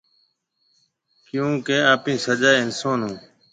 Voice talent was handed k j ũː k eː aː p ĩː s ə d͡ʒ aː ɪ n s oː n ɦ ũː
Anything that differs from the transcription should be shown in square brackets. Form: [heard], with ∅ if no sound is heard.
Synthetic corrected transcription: k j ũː k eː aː p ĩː s ə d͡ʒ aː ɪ n s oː n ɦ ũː